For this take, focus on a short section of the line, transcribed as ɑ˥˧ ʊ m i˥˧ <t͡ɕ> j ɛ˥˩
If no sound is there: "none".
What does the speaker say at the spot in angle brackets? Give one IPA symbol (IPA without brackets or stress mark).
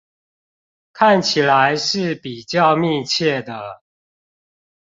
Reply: t͡ɕʰ